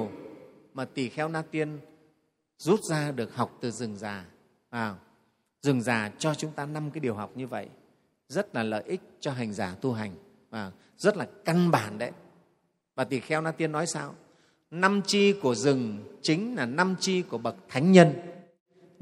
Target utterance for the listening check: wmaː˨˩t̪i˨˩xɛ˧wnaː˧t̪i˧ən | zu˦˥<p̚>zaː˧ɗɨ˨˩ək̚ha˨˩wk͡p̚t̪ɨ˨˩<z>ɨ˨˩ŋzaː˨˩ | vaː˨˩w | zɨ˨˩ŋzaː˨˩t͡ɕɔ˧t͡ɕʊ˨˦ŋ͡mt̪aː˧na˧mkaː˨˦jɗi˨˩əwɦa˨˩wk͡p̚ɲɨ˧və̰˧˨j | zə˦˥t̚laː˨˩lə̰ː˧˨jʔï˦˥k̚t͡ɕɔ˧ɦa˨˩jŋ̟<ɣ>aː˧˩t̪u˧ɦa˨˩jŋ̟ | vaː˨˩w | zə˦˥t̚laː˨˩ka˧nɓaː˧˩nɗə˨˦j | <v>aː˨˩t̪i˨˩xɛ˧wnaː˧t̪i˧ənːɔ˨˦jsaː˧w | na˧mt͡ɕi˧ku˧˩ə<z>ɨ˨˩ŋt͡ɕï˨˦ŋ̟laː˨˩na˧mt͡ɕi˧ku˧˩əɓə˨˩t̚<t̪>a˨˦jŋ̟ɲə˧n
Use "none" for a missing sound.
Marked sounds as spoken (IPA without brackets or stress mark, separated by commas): t̚, z, z, v, z, t̪ʰ